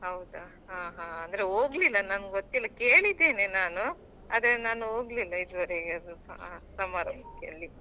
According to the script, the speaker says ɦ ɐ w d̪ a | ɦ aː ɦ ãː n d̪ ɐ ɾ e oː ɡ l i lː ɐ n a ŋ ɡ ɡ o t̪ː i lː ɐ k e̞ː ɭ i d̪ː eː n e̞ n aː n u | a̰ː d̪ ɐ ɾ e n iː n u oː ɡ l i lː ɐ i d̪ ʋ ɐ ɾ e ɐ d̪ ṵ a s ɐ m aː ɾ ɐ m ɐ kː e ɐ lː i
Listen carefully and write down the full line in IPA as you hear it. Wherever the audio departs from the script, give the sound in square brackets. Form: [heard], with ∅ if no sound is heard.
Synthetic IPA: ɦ ɐ w d̪ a | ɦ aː ɦ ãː n d̪ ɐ ɾ e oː ɡ l i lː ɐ n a [n] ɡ ɡ o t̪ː i lː ɐ k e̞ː ɭ i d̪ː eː n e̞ n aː n u | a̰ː d̪ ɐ ɾ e n [aː] n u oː ɡ l i lː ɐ i d̪ ʋ ɐ ɾ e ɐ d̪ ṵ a s ɐ m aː ɾ ɐ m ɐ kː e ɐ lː i